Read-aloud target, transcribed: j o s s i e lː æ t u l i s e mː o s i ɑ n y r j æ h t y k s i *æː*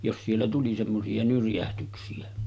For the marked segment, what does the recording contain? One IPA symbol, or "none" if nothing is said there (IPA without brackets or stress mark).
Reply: æ